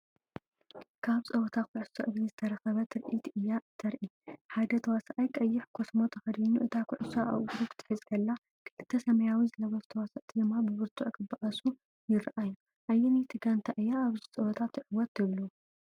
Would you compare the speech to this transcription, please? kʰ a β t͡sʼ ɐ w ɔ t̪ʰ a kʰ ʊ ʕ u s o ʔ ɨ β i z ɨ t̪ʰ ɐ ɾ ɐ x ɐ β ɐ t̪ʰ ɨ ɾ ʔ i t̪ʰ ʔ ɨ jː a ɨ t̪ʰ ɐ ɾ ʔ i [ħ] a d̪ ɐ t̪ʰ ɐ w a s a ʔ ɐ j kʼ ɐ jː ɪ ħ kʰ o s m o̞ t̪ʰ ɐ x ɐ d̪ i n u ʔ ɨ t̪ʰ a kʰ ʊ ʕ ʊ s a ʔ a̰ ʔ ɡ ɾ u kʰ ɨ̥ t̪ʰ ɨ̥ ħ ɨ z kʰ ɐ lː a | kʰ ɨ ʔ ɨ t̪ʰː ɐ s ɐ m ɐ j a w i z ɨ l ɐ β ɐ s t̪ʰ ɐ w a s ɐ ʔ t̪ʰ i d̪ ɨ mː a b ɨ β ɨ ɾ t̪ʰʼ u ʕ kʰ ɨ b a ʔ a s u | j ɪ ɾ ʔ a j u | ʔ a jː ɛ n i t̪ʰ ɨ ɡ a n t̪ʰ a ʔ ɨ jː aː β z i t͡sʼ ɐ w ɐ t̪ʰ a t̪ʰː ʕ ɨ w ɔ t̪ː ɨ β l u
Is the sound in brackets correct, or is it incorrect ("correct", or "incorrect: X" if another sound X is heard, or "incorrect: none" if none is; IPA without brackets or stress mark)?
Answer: correct